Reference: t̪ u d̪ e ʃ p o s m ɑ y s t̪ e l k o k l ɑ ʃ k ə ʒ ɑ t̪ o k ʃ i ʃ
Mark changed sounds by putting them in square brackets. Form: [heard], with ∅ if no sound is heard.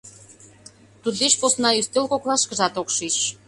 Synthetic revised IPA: t̪ u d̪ e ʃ p o s [n] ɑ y s t̪ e l k o k l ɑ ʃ k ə ʒ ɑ t̪ o k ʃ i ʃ